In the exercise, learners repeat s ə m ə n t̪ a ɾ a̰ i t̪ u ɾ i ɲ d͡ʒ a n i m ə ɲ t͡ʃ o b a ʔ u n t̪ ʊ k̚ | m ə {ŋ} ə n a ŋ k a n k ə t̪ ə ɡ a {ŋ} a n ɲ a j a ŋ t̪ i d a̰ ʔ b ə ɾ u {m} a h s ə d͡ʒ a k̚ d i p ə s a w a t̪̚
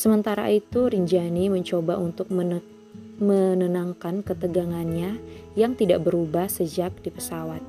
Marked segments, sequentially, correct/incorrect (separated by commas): incorrect, correct, incorrect